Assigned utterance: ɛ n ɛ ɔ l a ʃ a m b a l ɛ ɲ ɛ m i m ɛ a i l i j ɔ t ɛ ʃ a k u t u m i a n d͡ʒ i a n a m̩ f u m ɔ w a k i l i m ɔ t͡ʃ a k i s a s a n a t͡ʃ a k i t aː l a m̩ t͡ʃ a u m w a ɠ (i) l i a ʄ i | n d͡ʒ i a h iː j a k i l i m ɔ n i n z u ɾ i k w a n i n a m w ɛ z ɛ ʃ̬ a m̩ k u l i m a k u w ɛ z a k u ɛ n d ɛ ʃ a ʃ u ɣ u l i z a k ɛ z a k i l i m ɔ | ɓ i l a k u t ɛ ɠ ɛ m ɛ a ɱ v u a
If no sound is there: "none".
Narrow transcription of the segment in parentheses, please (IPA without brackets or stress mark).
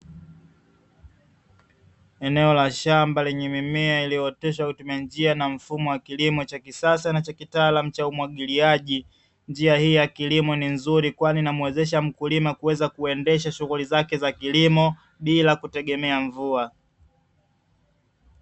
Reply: i